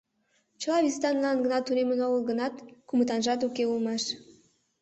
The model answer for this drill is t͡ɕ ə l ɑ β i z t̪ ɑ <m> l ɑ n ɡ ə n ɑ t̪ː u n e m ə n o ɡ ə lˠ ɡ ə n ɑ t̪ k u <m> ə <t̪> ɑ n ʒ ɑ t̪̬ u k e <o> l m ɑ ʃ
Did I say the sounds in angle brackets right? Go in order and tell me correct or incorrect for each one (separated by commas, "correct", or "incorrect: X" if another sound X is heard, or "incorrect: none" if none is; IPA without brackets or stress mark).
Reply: incorrect: n, correct, correct, incorrect: u